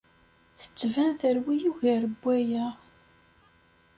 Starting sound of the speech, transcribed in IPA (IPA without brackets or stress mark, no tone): θ